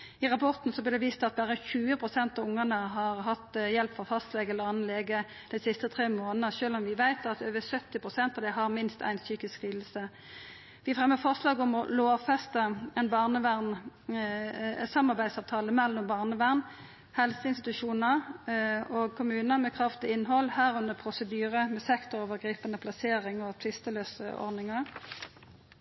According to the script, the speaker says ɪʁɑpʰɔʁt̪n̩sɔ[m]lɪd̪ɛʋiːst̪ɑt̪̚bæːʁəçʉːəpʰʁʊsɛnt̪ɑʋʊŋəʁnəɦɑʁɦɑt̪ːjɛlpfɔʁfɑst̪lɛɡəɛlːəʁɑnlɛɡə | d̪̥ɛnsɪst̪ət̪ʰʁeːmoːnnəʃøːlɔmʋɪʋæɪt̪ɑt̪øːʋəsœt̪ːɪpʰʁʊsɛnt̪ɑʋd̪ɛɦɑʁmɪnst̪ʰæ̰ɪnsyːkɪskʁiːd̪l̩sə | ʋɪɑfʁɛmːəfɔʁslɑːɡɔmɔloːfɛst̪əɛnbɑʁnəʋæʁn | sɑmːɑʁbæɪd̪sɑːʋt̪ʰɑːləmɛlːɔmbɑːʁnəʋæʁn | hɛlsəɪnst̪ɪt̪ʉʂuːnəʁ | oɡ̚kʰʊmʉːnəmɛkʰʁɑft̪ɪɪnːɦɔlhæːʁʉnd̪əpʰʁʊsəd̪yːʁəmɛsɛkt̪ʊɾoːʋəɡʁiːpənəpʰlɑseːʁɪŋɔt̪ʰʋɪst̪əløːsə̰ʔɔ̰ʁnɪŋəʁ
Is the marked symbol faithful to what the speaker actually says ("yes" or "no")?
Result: no